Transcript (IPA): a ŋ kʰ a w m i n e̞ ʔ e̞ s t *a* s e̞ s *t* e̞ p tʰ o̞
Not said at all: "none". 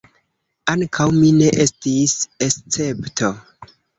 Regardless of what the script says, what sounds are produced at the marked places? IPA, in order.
i, t͡s

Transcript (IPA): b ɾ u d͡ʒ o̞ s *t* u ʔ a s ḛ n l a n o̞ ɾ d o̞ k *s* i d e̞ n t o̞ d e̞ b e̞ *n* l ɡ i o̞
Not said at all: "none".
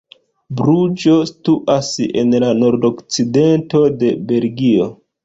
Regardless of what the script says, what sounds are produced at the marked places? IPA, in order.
t, t͡s, none

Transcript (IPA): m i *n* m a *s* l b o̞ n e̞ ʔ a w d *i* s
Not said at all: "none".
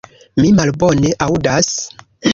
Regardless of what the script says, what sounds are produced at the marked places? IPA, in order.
none, none, a

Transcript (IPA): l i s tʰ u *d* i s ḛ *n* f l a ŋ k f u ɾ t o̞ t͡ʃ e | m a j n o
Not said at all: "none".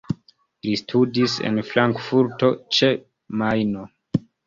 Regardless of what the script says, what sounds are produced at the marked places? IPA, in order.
d, n

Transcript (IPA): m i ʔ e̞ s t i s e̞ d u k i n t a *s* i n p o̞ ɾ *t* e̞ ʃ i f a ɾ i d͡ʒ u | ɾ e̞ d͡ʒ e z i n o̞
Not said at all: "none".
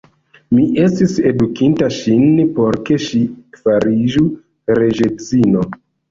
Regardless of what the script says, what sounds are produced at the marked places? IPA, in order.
ʃ, k

